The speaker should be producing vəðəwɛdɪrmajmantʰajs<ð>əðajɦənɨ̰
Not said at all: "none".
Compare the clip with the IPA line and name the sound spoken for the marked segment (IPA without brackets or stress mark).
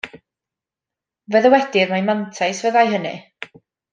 v